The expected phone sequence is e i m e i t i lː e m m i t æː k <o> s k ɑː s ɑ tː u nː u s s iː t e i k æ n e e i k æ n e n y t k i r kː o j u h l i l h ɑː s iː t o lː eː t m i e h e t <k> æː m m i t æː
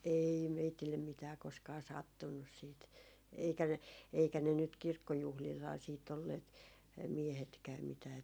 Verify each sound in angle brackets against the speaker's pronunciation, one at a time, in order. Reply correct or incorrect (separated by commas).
correct, correct